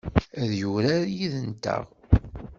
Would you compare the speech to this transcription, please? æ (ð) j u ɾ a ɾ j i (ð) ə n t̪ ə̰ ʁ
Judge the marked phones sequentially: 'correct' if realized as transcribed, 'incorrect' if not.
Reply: correct, correct

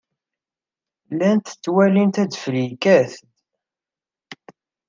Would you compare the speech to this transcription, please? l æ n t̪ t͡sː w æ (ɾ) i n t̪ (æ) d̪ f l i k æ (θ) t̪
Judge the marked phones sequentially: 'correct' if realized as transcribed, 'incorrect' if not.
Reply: incorrect: l, correct, correct

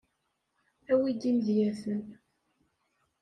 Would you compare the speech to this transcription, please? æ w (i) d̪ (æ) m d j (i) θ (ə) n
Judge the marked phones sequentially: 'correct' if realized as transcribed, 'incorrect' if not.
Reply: correct, incorrect: i, incorrect: æ, correct

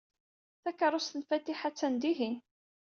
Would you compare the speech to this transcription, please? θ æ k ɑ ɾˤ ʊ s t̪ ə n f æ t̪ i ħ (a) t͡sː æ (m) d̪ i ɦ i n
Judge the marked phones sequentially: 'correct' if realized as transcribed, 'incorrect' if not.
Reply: correct, incorrect: n

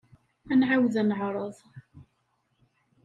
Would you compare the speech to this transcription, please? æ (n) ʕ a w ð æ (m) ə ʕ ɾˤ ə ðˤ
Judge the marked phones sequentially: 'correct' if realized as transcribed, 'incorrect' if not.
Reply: correct, incorrect: n

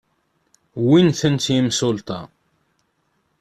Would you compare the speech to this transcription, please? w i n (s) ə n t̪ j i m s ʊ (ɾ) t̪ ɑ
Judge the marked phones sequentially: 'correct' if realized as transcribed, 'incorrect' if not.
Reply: incorrect: θ, incorrect: l

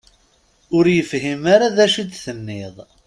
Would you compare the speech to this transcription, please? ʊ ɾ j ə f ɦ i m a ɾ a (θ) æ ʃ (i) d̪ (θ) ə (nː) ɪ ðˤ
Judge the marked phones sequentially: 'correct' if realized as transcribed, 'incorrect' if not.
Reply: incorrect: ð, correct, correct, correct

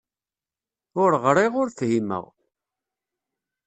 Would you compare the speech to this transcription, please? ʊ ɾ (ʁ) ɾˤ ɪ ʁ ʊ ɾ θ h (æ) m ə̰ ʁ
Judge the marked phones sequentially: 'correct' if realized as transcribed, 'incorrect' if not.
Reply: correct, incorrect: i

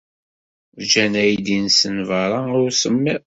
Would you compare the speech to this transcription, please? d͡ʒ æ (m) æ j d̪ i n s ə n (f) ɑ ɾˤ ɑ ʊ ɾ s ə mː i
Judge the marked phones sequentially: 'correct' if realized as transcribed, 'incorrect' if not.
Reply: incorrect: n, incorrect: v

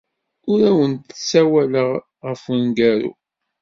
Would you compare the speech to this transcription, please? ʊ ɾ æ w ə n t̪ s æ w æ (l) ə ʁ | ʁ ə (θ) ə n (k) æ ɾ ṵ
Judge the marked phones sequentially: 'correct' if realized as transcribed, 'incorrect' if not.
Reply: correct, incorrect: f, incorrect: ɡ

